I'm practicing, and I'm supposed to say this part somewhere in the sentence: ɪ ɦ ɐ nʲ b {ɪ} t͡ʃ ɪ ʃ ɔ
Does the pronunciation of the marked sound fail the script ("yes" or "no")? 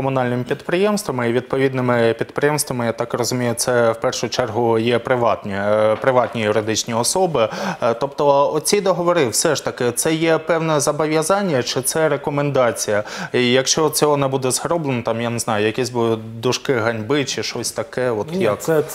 no